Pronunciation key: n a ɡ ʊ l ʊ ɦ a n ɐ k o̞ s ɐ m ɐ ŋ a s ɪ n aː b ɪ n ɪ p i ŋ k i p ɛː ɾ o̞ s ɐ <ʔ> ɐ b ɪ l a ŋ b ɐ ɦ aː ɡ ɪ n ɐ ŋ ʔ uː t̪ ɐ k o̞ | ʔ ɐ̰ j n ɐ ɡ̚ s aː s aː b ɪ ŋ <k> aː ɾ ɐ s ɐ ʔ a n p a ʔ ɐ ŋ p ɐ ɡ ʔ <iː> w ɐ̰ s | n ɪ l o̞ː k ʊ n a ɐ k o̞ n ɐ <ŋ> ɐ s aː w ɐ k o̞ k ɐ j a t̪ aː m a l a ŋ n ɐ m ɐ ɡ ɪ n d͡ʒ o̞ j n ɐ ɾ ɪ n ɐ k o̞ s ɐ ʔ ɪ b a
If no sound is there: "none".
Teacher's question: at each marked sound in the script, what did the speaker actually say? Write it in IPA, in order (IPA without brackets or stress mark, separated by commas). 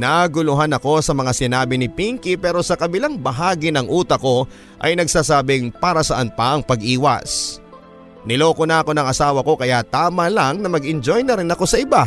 k, p, iː, ŋ